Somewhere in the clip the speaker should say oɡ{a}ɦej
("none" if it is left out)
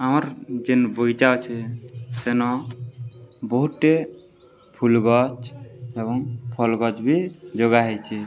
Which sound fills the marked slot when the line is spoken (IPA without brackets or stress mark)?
a